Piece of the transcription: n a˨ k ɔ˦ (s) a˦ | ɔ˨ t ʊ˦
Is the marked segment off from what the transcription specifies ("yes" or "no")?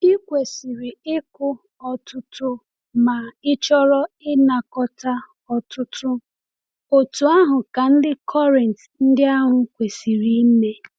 yes